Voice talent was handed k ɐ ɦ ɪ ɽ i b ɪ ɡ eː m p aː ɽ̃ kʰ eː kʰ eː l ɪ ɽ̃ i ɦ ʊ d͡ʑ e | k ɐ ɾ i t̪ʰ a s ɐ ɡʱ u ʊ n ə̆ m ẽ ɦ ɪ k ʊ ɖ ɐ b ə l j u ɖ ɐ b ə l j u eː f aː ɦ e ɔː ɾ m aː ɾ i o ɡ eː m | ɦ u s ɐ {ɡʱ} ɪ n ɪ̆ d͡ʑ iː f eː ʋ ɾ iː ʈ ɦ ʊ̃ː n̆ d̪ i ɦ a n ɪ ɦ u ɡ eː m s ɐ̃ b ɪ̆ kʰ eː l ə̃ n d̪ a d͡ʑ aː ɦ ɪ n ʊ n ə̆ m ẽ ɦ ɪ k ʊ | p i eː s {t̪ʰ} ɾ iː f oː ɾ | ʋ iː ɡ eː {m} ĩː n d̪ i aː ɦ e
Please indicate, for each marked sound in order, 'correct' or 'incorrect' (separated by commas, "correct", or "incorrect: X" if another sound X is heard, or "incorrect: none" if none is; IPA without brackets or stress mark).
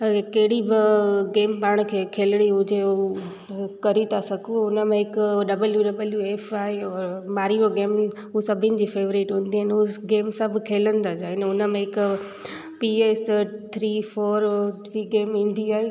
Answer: incorrect: bʱ, correct, correct